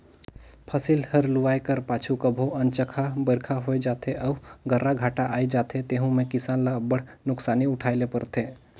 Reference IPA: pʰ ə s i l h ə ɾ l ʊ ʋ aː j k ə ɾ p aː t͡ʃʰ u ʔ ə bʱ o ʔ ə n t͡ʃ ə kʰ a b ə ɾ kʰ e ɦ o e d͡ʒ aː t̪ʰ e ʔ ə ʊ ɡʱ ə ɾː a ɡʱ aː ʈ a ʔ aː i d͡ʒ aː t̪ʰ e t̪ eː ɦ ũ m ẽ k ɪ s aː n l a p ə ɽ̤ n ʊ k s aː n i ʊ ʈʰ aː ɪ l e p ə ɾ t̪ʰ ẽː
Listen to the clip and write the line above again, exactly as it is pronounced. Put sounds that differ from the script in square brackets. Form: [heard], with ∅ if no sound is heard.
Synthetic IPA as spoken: pʰ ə s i l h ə ɾ l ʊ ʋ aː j k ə ɾ p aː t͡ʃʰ u [k] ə bʱ o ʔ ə n t͡ʃ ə kʰ a b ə ɾ kʰ [a] ɦ o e d͡ʒ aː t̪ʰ e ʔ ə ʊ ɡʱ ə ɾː a ɡʱ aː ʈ a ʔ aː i d͡ʒ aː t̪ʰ e t̪ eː ɦ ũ m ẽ k ɪ s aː n l a [b] ə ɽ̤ n ʊ k s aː n i ʊ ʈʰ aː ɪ l e p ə ɾ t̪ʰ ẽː